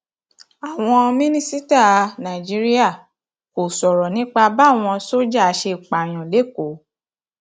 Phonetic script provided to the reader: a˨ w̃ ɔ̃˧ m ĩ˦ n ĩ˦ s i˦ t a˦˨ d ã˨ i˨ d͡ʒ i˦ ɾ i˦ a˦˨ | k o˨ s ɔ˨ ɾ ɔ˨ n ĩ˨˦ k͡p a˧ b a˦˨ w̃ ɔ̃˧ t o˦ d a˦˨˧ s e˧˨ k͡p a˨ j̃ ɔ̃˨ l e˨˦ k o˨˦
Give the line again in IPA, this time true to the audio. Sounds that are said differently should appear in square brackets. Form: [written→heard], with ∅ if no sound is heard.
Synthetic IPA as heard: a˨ w̃ ɔ̃˧ m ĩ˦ n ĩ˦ s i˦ t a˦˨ [d→n] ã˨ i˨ d͡ʒ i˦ ɾ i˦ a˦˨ | k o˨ s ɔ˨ ɾ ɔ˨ n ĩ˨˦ k͡p a˧ b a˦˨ w̃ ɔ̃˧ [t→s] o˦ [d→d͡ʒ] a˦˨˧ [s→ʃ] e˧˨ k͡p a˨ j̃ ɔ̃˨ l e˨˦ k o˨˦